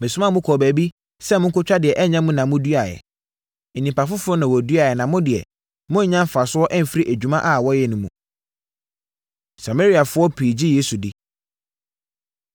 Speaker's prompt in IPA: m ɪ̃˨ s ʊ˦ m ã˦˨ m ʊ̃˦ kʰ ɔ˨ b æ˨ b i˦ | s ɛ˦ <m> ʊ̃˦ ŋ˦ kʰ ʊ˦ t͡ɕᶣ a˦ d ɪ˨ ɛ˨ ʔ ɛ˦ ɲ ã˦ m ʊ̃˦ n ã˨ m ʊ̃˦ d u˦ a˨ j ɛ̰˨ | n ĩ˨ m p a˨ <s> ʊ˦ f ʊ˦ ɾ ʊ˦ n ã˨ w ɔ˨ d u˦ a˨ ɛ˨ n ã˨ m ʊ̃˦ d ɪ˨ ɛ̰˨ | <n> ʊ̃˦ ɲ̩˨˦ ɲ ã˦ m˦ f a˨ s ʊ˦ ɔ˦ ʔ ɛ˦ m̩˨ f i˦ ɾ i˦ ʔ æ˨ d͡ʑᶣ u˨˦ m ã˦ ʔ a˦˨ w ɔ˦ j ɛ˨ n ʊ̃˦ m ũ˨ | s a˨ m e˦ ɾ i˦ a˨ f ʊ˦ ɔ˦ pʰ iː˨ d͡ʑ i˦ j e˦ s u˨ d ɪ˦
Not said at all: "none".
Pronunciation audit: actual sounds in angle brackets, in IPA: m, f, m

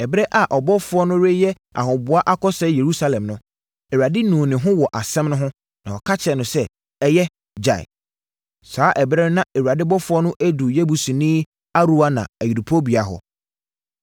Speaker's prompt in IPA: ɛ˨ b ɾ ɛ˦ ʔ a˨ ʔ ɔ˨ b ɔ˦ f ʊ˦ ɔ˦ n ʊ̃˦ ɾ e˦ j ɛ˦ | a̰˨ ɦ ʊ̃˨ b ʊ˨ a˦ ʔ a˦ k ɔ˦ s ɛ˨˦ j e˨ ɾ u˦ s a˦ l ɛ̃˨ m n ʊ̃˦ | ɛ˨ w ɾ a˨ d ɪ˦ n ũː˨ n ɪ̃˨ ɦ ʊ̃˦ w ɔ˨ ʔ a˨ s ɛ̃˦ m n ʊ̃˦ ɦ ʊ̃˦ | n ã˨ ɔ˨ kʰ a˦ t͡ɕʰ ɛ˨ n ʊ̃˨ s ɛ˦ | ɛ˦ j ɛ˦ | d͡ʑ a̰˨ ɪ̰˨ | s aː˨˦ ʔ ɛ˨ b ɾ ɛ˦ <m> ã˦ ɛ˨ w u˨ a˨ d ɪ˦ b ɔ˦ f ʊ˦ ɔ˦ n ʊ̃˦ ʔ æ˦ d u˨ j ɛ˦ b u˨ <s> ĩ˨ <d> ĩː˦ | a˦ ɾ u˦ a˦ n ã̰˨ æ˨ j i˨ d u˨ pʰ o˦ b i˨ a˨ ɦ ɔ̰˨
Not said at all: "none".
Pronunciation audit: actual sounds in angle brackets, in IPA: n, s, n

